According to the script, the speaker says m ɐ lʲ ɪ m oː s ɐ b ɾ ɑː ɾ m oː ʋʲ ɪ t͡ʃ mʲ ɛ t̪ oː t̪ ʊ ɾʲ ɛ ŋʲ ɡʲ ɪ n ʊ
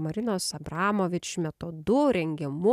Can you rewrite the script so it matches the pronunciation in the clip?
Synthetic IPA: m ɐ ɾʲ ɪ n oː s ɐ b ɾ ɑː m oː ʋʲ ɪ t͡ʃ mʲ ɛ t̪ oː d̪ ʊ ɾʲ ɛ ŋʲ ɡʲ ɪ m ʊ